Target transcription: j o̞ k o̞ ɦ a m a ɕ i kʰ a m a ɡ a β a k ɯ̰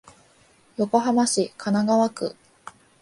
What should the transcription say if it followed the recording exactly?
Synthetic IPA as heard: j o̞ k o̞ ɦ a m a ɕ i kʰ a n a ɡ a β a k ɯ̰